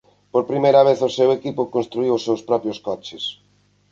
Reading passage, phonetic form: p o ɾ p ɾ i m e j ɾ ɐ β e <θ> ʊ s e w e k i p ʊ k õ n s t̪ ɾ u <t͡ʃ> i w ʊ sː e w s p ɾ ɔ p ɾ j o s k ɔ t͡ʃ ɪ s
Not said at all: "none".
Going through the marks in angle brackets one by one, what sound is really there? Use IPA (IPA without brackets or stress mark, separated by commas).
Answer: θ, none